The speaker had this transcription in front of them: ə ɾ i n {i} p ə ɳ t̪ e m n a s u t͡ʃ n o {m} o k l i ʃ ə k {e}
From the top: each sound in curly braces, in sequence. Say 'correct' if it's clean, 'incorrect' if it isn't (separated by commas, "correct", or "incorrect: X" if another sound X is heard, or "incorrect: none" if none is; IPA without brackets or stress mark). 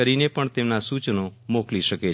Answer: incorrect: e, correct, correct